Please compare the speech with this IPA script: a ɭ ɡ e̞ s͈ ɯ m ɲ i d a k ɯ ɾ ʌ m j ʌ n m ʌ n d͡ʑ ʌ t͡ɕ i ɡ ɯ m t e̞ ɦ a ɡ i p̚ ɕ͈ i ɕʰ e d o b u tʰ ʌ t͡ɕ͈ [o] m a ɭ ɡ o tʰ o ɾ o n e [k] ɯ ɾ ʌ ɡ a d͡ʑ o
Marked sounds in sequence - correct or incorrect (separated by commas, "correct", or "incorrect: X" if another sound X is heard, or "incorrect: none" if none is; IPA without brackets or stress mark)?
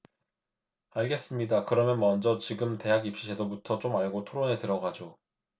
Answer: correct, incorrect: t